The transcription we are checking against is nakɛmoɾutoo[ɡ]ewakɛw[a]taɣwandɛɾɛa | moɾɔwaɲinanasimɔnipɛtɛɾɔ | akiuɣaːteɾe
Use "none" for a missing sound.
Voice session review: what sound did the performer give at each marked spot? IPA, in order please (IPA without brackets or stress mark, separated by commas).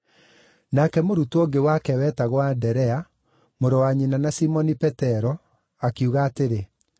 ɡ, ɛ